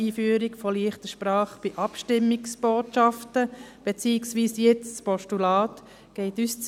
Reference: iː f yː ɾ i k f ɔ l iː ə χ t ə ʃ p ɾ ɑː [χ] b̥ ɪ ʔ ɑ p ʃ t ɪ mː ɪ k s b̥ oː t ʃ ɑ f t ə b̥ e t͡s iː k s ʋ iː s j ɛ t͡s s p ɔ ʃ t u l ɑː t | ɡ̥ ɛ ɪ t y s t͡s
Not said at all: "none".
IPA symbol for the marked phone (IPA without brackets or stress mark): χ